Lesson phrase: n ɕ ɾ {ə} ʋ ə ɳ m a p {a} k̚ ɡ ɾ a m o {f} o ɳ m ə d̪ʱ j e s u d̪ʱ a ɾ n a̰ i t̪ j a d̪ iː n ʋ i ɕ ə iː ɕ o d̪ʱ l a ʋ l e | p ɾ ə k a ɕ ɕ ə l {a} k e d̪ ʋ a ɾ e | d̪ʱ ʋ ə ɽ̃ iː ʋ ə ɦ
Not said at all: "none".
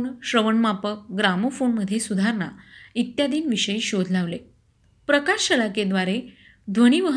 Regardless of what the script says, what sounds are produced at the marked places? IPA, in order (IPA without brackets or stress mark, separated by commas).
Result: ə, ə, f, a